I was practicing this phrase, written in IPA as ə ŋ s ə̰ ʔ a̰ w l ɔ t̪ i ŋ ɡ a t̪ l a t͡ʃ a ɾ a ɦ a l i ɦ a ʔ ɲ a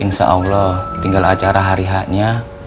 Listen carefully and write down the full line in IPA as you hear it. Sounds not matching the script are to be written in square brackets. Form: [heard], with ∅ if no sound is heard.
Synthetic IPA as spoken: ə ŋ s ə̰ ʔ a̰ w l ɔ t̪ i ŋ ɡ a [∅] l a t͡ʃ a ɾ a ɦ a [ɾ] i ɦ a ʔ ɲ a